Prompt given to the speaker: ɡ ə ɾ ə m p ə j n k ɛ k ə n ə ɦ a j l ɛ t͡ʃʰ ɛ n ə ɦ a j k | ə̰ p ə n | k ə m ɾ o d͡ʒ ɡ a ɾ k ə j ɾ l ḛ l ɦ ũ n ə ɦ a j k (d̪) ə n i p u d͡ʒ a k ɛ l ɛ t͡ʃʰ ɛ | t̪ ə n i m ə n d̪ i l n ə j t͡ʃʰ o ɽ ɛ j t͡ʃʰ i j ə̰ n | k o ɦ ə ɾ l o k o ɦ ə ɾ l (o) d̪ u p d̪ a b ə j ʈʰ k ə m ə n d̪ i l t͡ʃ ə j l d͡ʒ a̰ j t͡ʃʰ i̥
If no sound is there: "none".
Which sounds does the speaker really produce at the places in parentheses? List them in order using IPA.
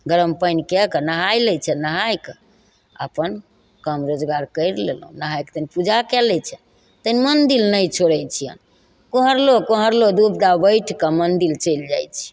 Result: t̪, o

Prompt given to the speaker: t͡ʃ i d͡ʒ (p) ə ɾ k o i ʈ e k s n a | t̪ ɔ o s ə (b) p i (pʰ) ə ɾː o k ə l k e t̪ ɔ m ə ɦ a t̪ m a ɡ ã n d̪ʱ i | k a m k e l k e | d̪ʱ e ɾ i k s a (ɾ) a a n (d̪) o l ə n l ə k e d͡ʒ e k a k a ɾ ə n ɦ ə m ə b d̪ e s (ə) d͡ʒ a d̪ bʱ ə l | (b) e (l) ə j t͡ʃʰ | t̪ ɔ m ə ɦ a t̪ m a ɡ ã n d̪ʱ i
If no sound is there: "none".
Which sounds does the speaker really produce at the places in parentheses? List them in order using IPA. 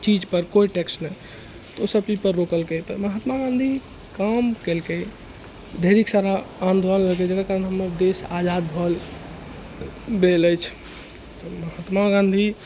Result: p, b, p, ɾ, d̪, a, b, l

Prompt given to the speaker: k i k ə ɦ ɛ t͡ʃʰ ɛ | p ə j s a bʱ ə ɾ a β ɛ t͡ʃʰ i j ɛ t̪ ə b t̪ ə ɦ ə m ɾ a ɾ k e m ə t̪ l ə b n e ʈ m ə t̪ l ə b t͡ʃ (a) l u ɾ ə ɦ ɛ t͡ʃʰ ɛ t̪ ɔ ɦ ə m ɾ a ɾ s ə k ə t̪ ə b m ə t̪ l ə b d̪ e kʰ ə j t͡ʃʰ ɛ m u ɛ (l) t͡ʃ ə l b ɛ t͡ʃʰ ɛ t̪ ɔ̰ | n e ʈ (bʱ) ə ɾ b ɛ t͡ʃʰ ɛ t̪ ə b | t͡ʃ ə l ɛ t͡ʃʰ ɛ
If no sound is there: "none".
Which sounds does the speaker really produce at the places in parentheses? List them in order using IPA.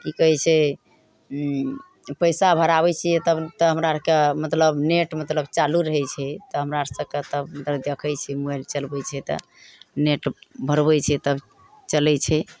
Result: a, l, bʱ

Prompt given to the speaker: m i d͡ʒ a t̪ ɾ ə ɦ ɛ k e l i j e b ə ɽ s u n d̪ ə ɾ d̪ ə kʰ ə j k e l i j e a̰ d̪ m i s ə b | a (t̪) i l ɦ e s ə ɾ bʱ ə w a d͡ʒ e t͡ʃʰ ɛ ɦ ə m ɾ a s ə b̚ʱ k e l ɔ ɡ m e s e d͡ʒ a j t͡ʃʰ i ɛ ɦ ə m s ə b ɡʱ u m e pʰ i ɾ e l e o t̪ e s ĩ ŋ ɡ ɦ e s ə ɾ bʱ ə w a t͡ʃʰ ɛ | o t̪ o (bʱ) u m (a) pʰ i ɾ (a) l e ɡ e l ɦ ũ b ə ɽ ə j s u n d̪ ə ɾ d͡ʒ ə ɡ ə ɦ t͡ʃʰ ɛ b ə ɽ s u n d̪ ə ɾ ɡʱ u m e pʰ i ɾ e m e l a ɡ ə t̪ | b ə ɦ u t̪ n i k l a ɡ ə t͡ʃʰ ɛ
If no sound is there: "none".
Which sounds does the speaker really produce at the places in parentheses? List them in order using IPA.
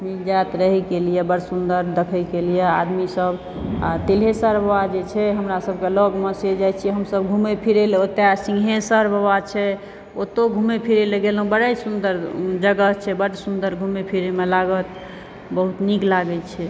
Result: t̪, ɡʱ, e, e

